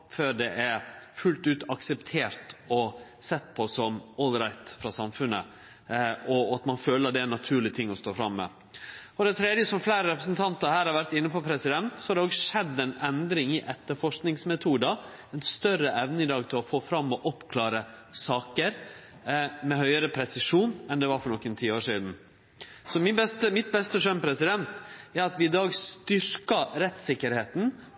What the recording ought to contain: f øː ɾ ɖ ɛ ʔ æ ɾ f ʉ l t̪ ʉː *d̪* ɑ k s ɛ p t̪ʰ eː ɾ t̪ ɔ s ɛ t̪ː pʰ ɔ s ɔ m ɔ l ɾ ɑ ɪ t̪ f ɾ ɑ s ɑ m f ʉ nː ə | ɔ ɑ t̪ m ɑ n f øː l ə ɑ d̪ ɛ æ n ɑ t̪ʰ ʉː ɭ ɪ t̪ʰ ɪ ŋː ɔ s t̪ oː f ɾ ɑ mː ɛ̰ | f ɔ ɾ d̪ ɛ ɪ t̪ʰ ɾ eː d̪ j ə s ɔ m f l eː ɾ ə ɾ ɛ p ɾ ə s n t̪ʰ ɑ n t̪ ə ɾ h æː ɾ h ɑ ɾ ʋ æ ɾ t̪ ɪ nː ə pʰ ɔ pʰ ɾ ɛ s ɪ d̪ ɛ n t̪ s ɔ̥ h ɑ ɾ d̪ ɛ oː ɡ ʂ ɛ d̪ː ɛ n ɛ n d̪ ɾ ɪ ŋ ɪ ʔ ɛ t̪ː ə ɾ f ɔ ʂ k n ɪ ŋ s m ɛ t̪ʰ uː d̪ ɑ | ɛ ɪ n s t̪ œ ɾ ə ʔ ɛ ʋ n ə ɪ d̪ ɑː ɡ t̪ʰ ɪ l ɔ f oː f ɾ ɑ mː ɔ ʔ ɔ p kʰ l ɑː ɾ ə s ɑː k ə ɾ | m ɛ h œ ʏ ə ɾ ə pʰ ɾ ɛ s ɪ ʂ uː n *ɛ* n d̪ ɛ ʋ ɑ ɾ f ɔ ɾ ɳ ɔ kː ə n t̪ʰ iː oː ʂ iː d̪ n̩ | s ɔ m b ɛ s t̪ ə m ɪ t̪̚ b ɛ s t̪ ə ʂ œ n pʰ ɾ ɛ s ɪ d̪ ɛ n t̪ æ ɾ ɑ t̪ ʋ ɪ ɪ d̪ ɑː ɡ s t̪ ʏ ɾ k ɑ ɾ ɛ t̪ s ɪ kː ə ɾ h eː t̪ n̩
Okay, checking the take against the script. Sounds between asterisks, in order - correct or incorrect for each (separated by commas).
incorrect, correct